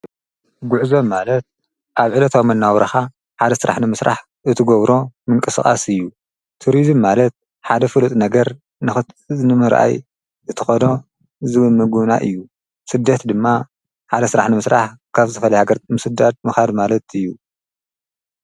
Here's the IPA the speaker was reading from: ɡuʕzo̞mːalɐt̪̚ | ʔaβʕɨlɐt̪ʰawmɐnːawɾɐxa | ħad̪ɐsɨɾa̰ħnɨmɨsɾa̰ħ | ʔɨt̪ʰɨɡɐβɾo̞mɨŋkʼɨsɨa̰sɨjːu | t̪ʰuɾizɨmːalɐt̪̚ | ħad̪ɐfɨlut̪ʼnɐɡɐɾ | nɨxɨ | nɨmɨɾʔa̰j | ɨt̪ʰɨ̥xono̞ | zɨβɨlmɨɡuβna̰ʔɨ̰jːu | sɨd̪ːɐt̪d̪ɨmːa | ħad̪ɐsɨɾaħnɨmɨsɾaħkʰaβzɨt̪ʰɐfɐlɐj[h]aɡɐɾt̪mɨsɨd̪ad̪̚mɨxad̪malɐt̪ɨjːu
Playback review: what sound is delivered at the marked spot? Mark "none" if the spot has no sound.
h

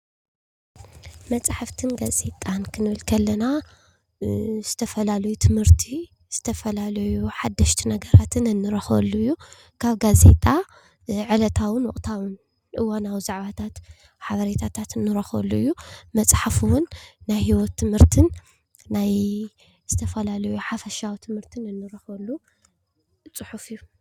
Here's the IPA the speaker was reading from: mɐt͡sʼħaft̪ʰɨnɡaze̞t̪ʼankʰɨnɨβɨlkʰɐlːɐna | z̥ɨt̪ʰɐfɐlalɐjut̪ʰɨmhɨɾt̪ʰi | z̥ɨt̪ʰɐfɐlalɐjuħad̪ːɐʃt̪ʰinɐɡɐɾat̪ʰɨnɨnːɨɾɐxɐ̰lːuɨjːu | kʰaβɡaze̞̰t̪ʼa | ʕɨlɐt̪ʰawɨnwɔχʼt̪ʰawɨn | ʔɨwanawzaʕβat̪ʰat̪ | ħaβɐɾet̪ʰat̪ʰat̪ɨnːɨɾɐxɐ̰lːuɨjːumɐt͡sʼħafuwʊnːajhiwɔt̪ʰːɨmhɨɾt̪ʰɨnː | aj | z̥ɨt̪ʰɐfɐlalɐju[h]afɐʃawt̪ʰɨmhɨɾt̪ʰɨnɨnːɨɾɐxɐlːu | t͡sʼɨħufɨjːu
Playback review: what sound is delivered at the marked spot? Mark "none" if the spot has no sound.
ħ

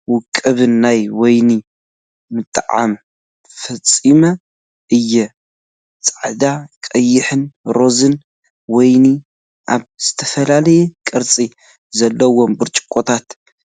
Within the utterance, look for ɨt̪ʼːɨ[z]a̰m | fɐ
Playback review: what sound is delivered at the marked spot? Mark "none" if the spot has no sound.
ʕ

